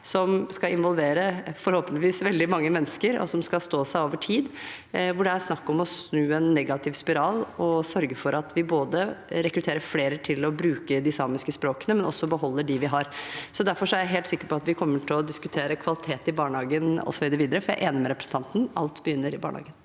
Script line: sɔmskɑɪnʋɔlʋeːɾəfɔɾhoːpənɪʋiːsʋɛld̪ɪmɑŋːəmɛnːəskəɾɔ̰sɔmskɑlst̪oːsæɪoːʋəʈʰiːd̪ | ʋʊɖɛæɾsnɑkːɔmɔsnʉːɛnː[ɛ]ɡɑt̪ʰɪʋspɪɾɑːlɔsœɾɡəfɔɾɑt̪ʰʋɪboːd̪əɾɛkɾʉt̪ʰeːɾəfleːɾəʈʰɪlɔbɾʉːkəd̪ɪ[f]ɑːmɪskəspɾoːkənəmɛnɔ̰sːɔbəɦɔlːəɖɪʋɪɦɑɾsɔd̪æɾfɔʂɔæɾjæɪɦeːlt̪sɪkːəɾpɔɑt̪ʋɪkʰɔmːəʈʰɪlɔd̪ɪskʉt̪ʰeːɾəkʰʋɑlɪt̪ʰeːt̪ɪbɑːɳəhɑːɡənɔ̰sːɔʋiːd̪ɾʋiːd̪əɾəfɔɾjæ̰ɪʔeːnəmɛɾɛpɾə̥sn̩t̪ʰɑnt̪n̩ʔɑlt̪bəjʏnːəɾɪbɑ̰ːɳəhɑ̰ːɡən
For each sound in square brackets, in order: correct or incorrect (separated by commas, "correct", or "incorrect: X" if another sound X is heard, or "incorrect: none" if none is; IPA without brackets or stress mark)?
correct, incorrect: s